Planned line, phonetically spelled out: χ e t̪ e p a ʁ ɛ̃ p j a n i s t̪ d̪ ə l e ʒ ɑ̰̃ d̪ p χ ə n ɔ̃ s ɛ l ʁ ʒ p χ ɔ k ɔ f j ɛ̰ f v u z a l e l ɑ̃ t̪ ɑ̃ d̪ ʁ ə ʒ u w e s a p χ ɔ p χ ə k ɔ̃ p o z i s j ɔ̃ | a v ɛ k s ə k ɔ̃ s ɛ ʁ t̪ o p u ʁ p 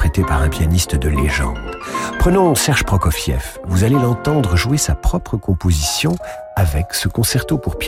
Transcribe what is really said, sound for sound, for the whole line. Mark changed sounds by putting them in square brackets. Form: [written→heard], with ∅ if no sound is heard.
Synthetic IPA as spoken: χ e t̪ e p a ʁ ɛ̃ p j a n i s t̪ d̪ ə l e ʒ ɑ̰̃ d̪ p χ ə n ɔ̃ s ɛ [l→∅] ʁ ʒ p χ ɔ k ɔ f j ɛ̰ f v u z a l e l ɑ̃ t̪ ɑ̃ d̪ ʁ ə ʒ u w e s a p χ ɔ p χ ə k ɔ̃ p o z i s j ɔ̃ | a v ɛ k s ə k ɔ̃ s ɛ ʁ t̪ o p u ʁ p